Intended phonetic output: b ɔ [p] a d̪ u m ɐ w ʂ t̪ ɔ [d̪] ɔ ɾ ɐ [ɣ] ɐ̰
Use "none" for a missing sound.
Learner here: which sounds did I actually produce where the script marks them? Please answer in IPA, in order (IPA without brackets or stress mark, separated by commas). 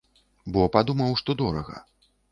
p, d̪, ɣ